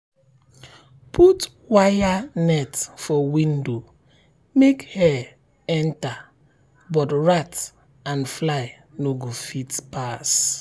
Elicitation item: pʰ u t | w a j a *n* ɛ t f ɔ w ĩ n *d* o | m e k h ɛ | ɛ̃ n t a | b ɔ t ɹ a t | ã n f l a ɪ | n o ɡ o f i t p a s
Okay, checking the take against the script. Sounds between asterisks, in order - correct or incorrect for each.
correct, correct

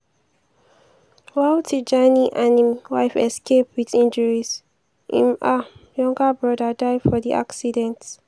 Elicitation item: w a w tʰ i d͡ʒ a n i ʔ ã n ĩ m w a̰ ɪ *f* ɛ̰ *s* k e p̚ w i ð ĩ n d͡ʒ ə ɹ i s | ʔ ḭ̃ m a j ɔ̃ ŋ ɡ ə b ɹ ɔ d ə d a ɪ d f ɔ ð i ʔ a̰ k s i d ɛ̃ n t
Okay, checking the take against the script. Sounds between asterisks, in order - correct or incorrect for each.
correct, correct

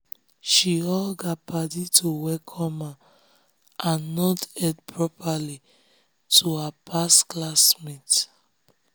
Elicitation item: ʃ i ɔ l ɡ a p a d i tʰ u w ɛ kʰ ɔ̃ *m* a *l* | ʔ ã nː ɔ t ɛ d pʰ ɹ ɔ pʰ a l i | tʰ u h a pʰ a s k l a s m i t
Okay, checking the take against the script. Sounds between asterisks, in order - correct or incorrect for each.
correct, incorrect: none

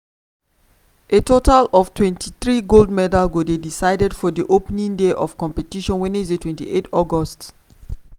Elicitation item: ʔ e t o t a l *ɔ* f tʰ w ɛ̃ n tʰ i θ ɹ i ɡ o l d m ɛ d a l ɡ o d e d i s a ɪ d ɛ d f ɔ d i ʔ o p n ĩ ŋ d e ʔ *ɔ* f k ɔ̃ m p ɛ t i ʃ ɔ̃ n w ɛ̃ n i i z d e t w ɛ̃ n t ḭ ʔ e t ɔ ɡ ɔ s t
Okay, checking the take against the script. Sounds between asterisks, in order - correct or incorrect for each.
correct, correct

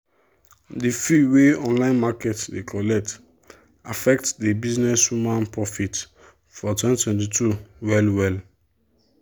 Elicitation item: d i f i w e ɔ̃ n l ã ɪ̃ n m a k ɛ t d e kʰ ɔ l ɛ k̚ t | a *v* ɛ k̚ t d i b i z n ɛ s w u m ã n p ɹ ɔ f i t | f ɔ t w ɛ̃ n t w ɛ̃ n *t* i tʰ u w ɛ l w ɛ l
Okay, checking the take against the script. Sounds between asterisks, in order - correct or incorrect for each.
incorrect: f, correct

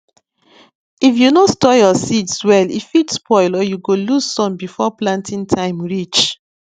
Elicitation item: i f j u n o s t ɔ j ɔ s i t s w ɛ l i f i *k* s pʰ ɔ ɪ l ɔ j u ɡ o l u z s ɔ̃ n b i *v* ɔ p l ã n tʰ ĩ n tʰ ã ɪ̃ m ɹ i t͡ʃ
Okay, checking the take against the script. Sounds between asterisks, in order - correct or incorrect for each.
incorrect: t, incorrect: f

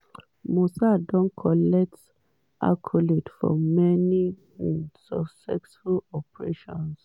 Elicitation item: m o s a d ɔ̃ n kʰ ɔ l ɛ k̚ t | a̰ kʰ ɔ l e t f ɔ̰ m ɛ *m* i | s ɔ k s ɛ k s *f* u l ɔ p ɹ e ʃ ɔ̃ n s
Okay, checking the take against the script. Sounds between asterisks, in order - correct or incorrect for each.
incorrect: n, correct

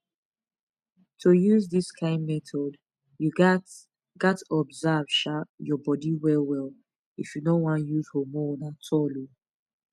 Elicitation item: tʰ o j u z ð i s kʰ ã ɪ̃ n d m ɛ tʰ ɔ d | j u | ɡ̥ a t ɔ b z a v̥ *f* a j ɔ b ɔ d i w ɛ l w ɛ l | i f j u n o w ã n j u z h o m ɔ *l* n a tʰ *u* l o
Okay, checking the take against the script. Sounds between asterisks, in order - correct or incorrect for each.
incorrect: ʃ, incorrect: none, incorrect: ɔ

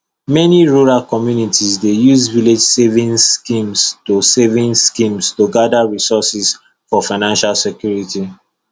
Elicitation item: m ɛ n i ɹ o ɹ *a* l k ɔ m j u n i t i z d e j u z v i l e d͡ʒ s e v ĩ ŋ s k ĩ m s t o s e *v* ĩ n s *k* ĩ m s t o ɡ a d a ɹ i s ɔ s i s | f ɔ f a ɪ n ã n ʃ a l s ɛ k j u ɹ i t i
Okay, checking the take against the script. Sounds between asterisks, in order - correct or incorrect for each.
correct, correct, correct

